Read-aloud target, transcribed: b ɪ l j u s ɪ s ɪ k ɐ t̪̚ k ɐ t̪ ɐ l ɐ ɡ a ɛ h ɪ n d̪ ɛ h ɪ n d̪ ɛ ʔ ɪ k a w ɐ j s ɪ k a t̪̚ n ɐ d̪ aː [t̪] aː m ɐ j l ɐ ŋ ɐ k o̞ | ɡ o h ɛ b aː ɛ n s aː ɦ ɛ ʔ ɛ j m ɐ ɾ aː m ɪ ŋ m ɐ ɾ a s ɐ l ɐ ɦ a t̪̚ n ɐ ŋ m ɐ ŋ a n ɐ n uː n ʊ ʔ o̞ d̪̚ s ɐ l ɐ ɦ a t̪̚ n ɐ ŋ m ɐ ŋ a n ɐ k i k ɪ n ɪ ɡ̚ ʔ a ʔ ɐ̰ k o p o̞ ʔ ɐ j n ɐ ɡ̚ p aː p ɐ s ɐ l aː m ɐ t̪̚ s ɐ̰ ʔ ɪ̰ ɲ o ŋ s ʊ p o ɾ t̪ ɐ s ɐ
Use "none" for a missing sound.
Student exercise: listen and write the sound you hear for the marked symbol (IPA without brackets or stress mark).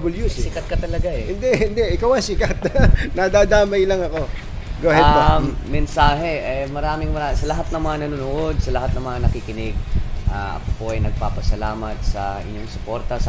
d̪